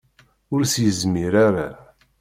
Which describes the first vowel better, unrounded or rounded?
rounded